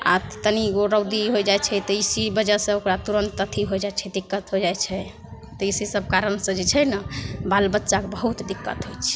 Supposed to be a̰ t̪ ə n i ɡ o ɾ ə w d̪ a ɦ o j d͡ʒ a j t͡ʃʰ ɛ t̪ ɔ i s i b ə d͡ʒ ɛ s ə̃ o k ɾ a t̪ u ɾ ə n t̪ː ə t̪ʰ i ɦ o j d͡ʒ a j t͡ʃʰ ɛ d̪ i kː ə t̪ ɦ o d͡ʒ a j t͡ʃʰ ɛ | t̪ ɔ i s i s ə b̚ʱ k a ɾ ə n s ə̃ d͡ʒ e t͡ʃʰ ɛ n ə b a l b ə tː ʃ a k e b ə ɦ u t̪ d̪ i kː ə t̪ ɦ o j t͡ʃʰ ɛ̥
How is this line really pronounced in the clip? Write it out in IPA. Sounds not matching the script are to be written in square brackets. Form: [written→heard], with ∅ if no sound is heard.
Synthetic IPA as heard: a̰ t̪ ə n i ɡ o ɾ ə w d̪ [a→i] ɦ o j d͡ʒ a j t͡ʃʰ ɛ t̪ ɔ i s i b ə d͡ʒ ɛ s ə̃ o k ɾ a t̪ u ɾ ə n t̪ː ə t̪ʰ i ɦ o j d͡ʒ a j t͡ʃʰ ɛ d̪ i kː ə t̪ ɦ o d͡ʒ a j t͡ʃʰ ɛ | t̪ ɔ i s i s ə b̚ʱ k a ɾ ə n s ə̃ d͡ʒ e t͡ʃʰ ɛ n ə b a l b ə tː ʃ a k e b ə ɦ u t̪ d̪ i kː ə t̪ ɦ o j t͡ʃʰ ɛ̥

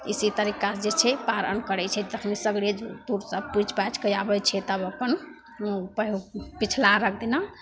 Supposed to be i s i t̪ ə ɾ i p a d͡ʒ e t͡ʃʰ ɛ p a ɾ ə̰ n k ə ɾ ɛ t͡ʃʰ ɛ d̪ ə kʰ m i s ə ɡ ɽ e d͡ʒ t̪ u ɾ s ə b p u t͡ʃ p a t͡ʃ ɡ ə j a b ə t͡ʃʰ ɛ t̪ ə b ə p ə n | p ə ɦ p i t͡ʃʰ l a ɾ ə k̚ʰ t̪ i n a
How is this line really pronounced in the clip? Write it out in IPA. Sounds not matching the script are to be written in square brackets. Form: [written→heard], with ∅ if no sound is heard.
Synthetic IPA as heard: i s i t̪ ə ɾ i [p→k] a d͡ʒ e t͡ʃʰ ɛ p a ɾ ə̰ n k ə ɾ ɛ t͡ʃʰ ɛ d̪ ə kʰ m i s ə ɡ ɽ e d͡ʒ t̪ u ɾ s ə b p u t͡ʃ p a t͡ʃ [ɡ→k] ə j a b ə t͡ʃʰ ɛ t̪ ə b ə p ə n | p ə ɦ p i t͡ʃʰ l a ɾ ə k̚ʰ [t̪→d̪] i n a

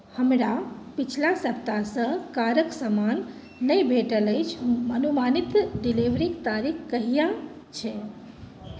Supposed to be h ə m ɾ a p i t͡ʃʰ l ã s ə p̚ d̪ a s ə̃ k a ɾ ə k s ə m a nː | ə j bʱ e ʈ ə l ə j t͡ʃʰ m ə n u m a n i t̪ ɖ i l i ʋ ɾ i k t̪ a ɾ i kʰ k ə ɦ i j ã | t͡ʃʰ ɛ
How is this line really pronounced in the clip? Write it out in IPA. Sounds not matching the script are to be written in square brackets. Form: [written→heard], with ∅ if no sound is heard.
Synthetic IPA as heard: h ə m ɾ a p i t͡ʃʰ l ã s ə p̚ [d̪→t̪] a s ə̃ k a ɾ ə k s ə m a nː | ə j bʱ e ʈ ə l ə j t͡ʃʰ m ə n u m a n i t̪ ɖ i l i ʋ ɾ i k t̪ a ɾ i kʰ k ə ɦ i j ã | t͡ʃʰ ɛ

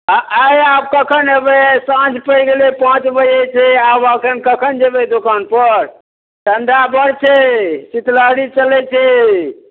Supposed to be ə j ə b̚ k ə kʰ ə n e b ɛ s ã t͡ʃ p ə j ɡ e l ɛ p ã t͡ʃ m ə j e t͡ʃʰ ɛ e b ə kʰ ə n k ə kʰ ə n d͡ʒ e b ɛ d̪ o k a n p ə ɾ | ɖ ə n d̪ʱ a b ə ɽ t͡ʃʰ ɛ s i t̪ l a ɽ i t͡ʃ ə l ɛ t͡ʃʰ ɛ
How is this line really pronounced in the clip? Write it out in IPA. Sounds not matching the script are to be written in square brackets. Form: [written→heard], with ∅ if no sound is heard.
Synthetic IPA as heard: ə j [ə→a] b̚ k ə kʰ ə n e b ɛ s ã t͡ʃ p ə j ɡ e l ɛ p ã t͡ʃ [m→b] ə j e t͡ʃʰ ɛ [e→a] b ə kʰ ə n k ə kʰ ə n d͡ʒ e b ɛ d̪ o k a n p ə ɾ | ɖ ə n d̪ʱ a b ə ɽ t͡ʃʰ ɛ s i t̪ l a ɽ i t͡ʃ ə l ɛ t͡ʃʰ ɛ

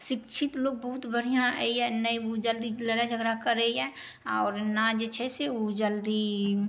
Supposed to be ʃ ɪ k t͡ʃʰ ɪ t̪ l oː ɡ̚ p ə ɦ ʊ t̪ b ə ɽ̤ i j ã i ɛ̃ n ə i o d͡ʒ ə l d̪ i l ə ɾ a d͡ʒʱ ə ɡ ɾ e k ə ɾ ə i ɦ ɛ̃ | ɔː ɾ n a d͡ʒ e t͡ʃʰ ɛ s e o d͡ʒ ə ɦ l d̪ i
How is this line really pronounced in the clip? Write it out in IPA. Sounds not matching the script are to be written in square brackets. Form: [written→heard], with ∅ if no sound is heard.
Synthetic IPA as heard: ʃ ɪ k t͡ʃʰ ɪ t̪ l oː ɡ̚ [p→b] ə ɦ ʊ t̪ b ə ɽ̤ i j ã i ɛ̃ n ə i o d͡ʒ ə l d̪ i l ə ɾ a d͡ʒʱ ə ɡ ɾ [e→a] k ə ɾ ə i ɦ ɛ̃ | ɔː ɾ n a d͡ʒ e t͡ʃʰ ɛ s e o d͡ʒ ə [ɦ→∅] l d̪ i

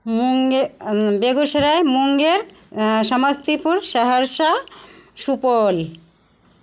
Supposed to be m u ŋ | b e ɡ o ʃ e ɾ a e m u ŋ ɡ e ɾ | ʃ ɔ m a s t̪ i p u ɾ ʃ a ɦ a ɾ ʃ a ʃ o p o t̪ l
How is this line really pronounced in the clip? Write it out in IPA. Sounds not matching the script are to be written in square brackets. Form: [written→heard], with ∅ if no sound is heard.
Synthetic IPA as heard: m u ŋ | b e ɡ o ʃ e ɾ a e m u ŋ ɡ e ɾ | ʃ ɔ m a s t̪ i p u ɾ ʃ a ɦ a ɾ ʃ a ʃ [o→u] p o [t̪→∅] l

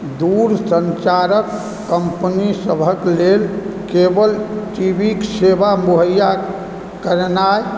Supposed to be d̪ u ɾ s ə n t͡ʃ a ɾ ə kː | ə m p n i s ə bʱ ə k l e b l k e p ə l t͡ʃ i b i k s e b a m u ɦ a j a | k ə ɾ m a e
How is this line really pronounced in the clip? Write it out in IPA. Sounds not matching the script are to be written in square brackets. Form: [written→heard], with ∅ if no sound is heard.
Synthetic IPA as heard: d̪ u ɾ s ə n t͡ʃ a ɾ ə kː | ə m p n i s ə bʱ ə k l e [b→∅] l k e [p→b] ə l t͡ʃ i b i k s e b a m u ɦ [a→ə] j a | k ə ɾ [m→n] a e

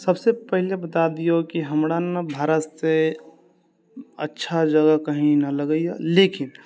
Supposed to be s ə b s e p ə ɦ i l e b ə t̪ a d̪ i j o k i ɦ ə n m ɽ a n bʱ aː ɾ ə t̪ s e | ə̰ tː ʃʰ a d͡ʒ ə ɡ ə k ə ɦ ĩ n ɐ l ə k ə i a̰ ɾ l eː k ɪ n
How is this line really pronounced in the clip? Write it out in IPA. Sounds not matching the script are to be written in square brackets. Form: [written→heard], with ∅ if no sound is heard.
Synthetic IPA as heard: s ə b s e p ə ɦ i l e b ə t̪ a d̪ i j o k i ɦ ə [n→∅] m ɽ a n bʱ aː ɾ ə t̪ s e | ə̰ tː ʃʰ a d͡ʒ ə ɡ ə k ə ɦ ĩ n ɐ l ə [k→ɡ] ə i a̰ [ɾ→∅] l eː k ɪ n

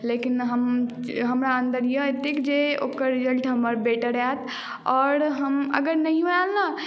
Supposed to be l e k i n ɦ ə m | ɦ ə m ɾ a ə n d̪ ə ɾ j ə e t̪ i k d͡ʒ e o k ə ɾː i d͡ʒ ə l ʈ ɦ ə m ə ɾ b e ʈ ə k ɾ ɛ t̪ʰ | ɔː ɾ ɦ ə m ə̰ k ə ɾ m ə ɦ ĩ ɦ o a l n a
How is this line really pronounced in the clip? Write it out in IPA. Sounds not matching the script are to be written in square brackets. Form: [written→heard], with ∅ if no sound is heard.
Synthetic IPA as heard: l e k i n ɦ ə m | ɦ ə m ɾ a ə n d̪ ə ɾ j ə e t̪ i k d͡ʒ e o k ə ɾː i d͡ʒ ə l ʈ ɦ ə m ə ɾ b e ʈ ə [k→∅] ɾ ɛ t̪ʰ | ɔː ɾ ɦ ə m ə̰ [k→ɡ] ə ɾ [m→n] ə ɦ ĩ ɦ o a l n a

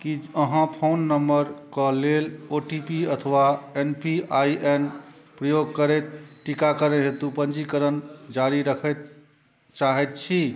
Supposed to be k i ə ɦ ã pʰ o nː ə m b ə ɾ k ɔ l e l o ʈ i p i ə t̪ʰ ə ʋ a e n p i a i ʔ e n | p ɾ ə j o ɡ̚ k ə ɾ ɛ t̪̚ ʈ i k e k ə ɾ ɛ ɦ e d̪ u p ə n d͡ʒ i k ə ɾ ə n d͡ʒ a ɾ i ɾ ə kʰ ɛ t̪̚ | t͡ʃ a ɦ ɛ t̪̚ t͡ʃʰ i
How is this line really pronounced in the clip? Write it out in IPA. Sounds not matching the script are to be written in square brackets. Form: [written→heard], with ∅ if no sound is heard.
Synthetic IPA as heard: k i ə ɦ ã pʰ o nː ə m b ə ɾ k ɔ l e l o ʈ i p i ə t̪ʰ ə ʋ a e n p i a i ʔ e n | p ɾ ə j o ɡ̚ k ə ɾ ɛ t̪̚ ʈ i k [e→a] k ə ɾ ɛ ɦ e [d̪→t̪] u p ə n d͡ʒ i k ə ɾ ə n d͡ʒ a ɾ i ɾ ə kʰ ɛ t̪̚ | t͡ʃ a ɦ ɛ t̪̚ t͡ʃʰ i

